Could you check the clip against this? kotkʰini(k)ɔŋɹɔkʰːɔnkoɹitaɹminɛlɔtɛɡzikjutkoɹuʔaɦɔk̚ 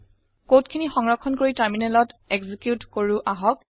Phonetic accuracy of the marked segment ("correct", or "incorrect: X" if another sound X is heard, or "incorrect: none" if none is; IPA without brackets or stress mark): incorrect: x